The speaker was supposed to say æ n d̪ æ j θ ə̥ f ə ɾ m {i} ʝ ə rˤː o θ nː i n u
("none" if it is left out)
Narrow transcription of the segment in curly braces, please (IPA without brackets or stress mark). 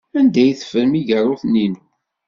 i